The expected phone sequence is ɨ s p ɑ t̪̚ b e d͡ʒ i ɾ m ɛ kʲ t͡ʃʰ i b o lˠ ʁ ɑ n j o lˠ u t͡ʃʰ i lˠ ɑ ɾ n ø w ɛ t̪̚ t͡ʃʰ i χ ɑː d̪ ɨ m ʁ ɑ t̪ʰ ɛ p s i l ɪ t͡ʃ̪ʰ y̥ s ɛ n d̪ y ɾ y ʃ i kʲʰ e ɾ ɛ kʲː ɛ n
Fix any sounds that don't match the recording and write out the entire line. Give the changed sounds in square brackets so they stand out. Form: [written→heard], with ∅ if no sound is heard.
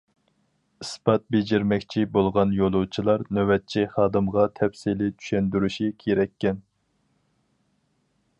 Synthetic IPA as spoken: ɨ s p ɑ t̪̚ b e d͡ʒ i ɾ m ɛ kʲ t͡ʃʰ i b o lˠ ʁ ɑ n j o lˠ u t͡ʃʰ i lˠ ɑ ɾ n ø w ɛ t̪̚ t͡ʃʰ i χ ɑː d̪ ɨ m ʁ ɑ t̪ʰ ɛ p s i l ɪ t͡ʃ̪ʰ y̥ [s→ʃ] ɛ n d̪ y ɾ y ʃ i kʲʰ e ɾ ɛ kʲː ɛ n